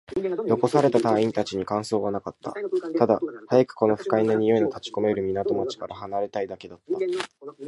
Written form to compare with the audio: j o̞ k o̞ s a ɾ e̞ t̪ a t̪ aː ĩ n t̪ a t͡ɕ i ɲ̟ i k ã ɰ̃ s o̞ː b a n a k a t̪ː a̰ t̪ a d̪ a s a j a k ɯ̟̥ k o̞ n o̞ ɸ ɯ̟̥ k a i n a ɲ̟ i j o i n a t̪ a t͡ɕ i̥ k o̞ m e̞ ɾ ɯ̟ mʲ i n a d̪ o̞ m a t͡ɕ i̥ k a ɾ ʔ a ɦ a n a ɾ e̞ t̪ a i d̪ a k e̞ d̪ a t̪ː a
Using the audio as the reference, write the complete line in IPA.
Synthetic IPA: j o̞ k o̞ s a ɾ e̞ t̪ a t̪ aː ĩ n t̪ a t͡ɕ i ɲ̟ i k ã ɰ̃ s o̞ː β a n a k a t̪ː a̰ t̪ a d̪ a h a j a k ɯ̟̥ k o̞ n o̞ ɸ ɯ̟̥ k a i n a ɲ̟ i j o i n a t̪ a t͡ɕ i̥ k o̞ m e̞ ɾ ɯ̟ mʲ i n a t̪ o̞ m a t͡ɕ i̥ k a ɾ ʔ a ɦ a n a ɾ e̞ t̪ a i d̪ a k e̞ d̪ a t̪ː a